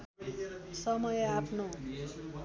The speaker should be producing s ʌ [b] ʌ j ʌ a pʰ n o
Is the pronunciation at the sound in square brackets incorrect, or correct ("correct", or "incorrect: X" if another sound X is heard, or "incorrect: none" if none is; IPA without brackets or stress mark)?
incorrect: m